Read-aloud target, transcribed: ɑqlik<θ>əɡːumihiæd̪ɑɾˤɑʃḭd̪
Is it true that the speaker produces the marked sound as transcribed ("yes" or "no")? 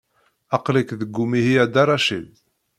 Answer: no